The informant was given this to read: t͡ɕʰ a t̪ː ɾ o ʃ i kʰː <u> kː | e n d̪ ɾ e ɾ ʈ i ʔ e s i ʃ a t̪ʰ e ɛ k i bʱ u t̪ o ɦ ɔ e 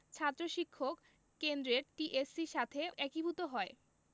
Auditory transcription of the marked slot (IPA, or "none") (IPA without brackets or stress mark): o